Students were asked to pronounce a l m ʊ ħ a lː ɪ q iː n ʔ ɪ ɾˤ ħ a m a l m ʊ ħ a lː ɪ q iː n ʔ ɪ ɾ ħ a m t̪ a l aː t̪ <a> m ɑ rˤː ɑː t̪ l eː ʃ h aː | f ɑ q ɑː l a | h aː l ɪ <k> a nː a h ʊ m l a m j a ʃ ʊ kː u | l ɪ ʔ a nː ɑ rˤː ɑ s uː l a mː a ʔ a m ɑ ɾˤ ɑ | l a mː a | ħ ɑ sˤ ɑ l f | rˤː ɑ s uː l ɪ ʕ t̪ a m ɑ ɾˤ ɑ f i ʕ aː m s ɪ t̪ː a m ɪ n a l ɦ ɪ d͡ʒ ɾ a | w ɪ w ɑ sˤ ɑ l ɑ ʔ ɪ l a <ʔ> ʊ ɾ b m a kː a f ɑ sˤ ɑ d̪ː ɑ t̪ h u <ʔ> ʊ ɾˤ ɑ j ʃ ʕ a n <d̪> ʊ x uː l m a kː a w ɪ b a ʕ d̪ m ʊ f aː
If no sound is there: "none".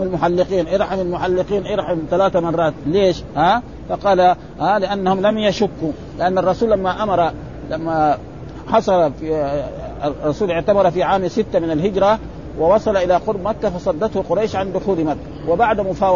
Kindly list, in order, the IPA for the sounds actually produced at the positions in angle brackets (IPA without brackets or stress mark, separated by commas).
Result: a, ʔ, q, q, d̪